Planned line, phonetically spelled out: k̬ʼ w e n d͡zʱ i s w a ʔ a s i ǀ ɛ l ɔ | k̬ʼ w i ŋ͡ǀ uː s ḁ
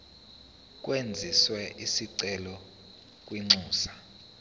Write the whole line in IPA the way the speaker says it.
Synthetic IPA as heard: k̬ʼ w e n d͡zʱ i s w ɛ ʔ i s i ǀ ɛ l ɔ | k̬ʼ w i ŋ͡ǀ uː s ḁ